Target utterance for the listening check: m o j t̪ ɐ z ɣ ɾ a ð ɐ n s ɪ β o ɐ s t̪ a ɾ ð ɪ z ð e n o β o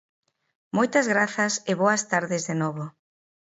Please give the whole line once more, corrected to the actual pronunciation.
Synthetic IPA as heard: m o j t̪ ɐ z ɣ ɾ a θ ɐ s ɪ β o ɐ s t̪ a ɾ ð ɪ z ð e n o β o